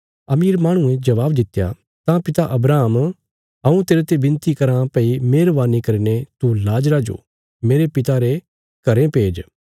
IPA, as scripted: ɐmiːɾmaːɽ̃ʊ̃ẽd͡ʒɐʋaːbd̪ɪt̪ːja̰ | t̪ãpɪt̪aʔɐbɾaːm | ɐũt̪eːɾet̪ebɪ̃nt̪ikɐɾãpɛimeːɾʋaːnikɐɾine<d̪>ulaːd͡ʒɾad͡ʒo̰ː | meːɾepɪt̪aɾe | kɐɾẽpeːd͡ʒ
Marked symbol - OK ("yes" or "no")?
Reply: no